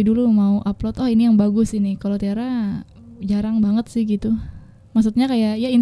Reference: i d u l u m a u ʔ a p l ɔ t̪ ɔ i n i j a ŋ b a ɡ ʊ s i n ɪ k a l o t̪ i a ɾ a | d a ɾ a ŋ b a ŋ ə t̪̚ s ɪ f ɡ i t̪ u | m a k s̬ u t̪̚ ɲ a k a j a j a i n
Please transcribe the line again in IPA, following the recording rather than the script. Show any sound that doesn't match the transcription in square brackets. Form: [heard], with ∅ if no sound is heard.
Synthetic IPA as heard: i d u l u m a u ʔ a p l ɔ t̪ ɔ i n i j a ŋ b a ɡ ʊ s i n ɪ k a l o t̪ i a ɾ a | [d͡ʒ] a ɾ a ŋ b a ŋ ə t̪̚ s ɪ [h] ɡ i t̪ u | m a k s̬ u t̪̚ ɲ a k a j a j a i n